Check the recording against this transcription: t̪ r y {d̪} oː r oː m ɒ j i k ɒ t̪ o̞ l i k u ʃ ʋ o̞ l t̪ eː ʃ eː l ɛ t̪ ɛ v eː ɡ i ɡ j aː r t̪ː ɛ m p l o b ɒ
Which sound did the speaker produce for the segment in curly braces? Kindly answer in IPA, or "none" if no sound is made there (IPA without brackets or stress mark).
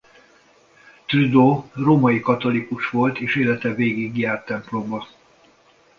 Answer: d̪